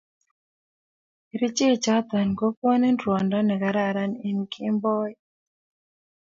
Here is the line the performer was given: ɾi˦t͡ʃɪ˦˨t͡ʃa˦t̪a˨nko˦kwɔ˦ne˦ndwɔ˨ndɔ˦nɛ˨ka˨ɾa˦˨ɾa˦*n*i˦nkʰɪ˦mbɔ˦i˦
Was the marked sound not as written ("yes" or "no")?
no